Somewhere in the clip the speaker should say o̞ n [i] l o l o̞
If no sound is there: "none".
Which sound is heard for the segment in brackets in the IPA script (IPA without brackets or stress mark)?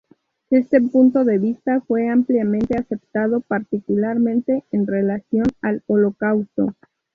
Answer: a